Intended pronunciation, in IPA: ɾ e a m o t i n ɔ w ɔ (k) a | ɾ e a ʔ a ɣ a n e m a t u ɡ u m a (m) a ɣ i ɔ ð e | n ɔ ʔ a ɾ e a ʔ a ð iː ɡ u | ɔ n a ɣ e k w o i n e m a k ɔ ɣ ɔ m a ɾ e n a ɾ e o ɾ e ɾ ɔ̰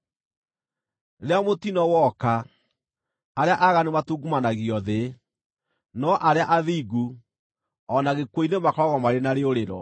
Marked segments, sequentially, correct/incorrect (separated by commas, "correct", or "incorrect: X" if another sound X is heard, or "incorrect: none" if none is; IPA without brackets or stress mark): correct, incorrect: n